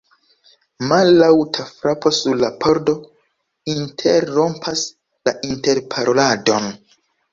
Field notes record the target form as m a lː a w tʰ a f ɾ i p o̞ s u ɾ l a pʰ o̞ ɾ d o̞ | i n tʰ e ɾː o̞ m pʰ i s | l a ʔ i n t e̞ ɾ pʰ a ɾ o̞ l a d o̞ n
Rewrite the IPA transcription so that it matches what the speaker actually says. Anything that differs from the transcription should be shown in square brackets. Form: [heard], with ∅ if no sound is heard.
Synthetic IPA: m a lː a w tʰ a f ɾ [a] p o̞ s u ɾ l a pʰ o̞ ɾ d o̞ | i n tʰ e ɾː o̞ m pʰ [a] s | l a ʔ i n t e̞ ɾ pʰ a ɾ o̞ l a d o̞ n